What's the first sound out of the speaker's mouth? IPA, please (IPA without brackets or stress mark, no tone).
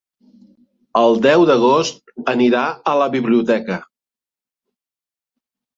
ə